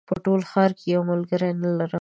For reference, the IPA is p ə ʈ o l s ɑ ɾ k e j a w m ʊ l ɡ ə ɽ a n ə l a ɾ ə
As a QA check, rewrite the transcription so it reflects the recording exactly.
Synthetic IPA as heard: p ə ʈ o l x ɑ ɾ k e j a w m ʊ l ɡ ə ɾ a n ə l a ɾ ə